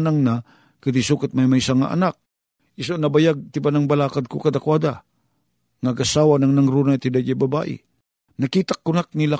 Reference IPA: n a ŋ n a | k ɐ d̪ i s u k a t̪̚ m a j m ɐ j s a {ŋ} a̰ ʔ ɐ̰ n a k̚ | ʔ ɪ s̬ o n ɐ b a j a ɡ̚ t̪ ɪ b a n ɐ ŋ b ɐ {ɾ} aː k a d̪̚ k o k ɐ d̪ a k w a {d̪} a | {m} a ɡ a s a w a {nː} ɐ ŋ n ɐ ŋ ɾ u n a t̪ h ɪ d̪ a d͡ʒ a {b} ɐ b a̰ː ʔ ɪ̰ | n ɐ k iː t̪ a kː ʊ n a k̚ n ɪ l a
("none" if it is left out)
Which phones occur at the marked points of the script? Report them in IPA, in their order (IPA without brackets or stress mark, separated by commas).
ŋ, l, d̪, ŋ, n, b